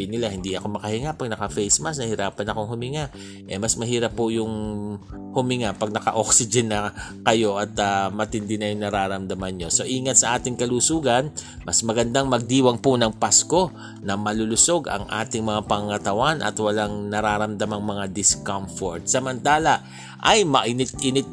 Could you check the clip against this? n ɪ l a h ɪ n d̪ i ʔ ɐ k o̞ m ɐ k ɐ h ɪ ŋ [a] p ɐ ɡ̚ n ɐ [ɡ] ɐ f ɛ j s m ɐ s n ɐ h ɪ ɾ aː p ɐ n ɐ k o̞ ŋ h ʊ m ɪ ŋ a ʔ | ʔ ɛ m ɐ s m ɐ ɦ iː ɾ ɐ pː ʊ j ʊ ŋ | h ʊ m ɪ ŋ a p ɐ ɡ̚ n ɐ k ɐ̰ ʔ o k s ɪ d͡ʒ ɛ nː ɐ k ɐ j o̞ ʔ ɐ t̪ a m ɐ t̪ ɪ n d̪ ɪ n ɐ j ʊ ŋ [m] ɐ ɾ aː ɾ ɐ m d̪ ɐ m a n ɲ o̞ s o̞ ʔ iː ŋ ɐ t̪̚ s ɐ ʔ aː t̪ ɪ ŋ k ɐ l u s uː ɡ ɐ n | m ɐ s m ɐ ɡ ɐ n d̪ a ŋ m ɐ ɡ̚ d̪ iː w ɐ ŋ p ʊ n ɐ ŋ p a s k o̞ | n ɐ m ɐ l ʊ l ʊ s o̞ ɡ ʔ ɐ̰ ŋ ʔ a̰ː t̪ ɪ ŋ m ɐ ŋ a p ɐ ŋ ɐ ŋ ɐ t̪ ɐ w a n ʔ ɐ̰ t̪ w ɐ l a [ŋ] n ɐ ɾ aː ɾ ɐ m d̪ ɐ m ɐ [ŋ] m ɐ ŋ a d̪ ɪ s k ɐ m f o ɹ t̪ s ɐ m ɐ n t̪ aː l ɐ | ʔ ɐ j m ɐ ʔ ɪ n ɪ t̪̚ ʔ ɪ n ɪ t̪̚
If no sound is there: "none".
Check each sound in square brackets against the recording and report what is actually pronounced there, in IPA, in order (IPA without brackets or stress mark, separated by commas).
a, k, n, ŋ, ŋ